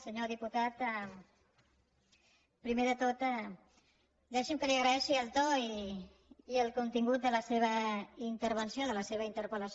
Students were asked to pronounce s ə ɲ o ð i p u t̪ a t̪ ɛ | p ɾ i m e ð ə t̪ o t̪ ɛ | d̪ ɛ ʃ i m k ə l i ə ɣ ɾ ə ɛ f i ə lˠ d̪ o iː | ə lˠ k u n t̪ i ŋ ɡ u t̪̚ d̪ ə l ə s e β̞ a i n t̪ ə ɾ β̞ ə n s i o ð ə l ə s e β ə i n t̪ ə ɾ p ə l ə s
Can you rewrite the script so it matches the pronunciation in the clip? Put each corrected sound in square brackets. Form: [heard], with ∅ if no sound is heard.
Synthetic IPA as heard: s ə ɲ o ð i p u t̪ a t̪ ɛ | p ɾ i m e ð ə t̪ o t̪ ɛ | d̪ ɛ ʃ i m k ə l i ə ɣ ɾ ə ɛ [ʃ] i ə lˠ [t̪] o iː | ə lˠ k u n t̪ i ŋ ɡ u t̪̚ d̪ ə l ə s e β̞ [ə] i n t̪ ə ɾ β̞ ə n s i o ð ə l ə s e β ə i n t̪ ə ɾ p ə l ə s